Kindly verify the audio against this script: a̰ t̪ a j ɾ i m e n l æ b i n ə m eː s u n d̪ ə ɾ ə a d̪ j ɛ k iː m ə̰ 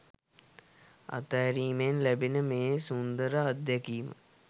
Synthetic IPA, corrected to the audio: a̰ t̪ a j ɾ iː m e n l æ b i n ə m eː s u n d̪ ə ɾ ə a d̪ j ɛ k iː m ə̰